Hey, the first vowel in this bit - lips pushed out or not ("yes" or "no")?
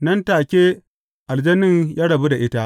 no